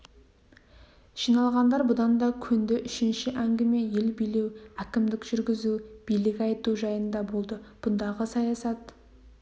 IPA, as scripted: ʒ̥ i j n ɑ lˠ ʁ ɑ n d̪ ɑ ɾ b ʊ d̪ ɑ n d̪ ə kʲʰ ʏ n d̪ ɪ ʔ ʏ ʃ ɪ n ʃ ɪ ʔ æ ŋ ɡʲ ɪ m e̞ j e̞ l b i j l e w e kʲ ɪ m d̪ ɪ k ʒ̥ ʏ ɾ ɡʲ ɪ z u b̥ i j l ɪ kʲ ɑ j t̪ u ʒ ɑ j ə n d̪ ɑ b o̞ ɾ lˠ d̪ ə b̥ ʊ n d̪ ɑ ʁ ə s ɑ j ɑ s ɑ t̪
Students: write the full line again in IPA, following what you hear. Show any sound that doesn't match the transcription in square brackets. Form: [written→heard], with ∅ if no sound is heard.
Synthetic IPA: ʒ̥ i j n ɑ lˠ ʁ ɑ n d̪ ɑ ɾ b ʊ d̪ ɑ n d̪ [ə→ɑ] kʲʰ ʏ n d̪ ɪ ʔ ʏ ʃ ɪ n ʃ ɪ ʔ æ ŋ ɡʲ ɪ m e̞ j e̞ l b i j l e w [e→æ] kʲ ɪ m d̪ ɪ k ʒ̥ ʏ ɾ ɡʲ ɪ z u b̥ i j l ɪ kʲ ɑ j t̪ u ʒ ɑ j ə n d̪ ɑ b o̞ [ɾ→∅] lˠ d̪ ə b̥ ʊ n d̪ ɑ ʁ ə s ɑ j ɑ s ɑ t̪

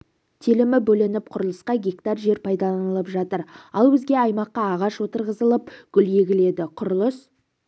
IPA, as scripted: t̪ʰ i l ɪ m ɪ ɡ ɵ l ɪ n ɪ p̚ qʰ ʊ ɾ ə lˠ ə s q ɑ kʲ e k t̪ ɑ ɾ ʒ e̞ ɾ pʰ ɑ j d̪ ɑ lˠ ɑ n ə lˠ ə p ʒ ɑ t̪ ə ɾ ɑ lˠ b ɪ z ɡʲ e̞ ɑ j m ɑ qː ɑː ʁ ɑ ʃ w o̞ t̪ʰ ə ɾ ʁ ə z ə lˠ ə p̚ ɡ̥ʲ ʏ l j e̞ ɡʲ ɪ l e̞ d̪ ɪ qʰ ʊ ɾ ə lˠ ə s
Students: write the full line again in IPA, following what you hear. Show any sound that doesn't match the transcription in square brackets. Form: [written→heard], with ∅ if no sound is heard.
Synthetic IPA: t̪ʰ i l ɪ m ɪ [ɡ→b] ɵ l ɪ n ɪ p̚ qʰ ʊ ɾ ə lˠ ə s q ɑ [kʲ→ɡʲ] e k t̪ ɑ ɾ ʒ e̞ ɾ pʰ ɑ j d̪ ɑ lˠ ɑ n ə lˠ ə p ʒ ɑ t̪ ə ɾ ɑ lˠ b ɪ z ɡʲ e̞ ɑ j m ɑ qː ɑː ʁ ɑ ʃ w o̞ [t̪ʰ→t̪] ə ɾ ʁ ə z ə lˠ ə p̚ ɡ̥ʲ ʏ l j e̞ ɡʲ ɪ l e̞ d̪ ɪ qʰ ʊ ɾ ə lˠ ə s

